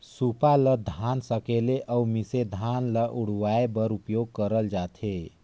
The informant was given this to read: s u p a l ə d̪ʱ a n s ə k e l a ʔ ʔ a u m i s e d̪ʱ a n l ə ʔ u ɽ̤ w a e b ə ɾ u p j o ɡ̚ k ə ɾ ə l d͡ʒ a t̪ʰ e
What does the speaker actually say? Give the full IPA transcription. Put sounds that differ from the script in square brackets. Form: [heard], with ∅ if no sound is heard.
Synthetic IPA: s u p a l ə d̪ʱ a n s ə k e l [e] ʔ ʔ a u m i s e d̪ʱ a n l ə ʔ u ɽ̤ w a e b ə ɾ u p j o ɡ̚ k ə ɾ ə l d͡ʒ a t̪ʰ e